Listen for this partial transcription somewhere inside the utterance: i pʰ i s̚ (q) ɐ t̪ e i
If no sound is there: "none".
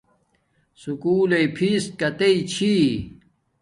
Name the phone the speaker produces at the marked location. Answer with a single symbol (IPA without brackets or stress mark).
k